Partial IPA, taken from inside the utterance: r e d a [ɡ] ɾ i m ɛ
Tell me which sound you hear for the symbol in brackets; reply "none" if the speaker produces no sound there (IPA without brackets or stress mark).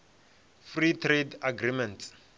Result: ɡ